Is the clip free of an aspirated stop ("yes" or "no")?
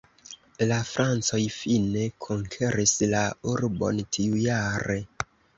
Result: no